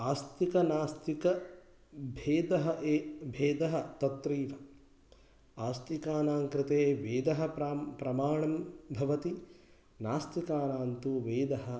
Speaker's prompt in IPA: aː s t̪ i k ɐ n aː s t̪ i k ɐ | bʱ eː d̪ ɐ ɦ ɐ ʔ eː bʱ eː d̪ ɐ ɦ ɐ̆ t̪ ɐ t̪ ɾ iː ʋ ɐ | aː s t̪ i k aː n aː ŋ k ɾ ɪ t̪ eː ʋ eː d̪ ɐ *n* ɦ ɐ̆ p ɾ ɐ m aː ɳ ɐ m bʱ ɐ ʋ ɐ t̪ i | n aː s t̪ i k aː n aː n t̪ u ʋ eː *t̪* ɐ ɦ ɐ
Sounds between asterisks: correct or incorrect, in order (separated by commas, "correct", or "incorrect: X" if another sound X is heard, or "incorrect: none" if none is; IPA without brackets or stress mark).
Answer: incorrect: none, incorrect: d̪